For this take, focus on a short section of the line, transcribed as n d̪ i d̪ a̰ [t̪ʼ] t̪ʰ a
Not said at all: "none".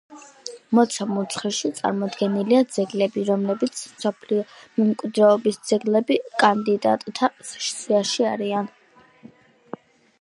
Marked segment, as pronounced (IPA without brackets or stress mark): t̪ʼ